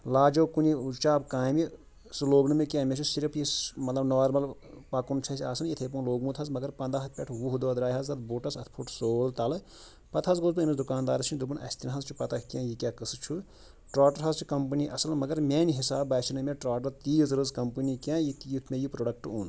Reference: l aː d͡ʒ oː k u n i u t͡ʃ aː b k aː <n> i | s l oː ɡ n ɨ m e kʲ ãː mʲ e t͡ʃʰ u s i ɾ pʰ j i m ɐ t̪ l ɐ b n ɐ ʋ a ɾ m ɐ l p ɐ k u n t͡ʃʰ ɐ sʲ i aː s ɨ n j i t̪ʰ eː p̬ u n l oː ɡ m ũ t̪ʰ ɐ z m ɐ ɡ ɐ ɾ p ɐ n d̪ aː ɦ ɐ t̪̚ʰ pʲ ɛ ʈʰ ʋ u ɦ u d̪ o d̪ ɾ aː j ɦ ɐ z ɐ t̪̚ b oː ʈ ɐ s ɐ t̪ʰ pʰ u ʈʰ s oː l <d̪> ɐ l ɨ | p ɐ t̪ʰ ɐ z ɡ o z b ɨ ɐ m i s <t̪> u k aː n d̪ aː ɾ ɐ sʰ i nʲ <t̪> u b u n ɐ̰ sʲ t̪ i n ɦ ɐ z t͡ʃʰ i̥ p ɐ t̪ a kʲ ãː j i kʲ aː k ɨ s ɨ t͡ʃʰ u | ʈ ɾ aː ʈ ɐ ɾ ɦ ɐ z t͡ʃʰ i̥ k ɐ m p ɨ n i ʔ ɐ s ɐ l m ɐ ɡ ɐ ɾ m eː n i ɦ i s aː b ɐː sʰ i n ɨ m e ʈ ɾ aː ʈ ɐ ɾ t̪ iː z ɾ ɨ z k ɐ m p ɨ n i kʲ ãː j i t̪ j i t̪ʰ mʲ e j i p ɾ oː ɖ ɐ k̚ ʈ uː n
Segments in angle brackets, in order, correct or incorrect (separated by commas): incorrect, incorrect, incorrect, incorrect